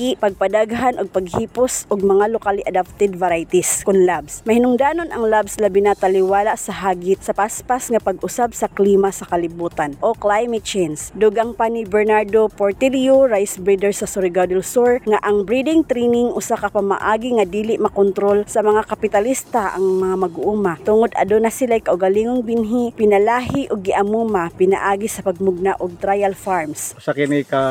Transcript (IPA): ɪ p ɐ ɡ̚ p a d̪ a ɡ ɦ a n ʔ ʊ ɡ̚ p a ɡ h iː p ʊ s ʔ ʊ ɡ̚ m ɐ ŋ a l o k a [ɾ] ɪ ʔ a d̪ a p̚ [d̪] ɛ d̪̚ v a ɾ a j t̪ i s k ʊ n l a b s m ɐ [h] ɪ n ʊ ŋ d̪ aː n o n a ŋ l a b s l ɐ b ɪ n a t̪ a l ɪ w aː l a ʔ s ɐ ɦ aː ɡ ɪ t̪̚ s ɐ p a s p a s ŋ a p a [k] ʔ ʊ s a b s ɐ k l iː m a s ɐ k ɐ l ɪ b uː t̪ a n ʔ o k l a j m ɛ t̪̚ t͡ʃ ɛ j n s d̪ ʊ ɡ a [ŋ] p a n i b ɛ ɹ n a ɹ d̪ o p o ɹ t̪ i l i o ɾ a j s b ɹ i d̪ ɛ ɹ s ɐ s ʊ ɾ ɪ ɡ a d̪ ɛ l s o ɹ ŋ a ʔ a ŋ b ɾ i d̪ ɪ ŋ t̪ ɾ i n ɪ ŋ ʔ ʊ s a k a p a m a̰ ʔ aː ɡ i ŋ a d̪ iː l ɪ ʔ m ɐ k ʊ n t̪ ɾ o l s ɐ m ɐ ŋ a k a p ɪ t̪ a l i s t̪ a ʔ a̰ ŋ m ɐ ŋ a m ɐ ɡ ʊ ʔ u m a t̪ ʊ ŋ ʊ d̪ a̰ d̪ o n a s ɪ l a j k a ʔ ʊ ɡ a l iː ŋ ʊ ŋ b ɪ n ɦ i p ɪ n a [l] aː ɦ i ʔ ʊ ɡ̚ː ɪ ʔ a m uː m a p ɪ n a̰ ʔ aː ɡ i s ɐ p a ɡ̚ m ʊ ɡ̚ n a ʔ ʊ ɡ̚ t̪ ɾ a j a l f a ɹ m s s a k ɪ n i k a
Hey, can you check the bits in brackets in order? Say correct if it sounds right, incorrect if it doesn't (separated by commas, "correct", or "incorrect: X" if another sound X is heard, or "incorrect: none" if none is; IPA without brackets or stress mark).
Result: incorrect: l, incorrect: t̪, correct, incorrect: ɡ, correct, correct